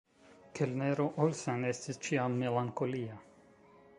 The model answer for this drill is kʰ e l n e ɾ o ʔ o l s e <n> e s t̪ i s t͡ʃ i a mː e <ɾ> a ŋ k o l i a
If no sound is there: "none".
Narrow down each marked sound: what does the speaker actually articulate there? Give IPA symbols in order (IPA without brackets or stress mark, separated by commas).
n, l